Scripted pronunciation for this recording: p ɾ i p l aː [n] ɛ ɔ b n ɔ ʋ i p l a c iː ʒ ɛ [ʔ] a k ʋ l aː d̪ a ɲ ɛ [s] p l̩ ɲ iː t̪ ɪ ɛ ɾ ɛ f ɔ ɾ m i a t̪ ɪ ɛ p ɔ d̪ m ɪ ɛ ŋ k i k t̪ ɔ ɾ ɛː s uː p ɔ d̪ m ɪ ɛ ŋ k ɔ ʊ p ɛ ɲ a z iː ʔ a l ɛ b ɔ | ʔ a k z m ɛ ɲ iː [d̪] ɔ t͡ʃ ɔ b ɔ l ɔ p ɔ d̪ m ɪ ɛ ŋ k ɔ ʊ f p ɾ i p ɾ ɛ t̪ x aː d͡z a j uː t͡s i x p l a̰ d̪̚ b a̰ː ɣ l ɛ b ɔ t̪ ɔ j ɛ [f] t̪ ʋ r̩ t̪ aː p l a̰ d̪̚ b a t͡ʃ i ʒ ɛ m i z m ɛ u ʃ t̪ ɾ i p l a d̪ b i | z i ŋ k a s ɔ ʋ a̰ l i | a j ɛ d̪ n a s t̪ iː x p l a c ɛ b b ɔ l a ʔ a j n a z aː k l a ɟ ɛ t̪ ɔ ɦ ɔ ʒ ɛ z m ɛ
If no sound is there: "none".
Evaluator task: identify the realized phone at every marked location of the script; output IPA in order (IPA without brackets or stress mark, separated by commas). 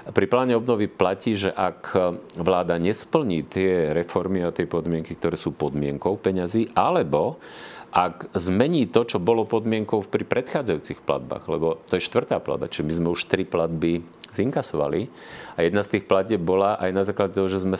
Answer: ɲ, ʔ, s, t̪, ʃ